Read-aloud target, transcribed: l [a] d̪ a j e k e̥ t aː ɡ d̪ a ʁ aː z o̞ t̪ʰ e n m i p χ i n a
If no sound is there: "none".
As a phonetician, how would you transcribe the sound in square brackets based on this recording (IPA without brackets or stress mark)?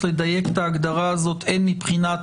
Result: e